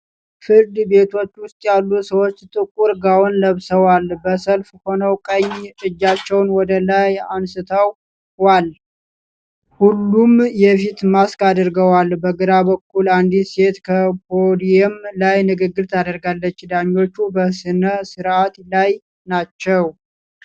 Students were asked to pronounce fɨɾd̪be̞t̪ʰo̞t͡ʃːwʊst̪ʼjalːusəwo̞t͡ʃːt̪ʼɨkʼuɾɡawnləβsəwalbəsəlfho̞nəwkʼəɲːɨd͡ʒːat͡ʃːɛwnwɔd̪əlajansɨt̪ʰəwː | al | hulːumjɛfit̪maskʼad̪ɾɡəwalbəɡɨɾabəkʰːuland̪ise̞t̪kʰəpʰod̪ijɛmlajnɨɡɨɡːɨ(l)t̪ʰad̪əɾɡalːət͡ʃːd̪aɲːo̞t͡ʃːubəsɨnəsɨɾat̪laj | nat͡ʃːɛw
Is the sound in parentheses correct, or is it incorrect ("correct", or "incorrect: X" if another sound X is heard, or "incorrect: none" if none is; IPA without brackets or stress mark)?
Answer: incorrect: ɾ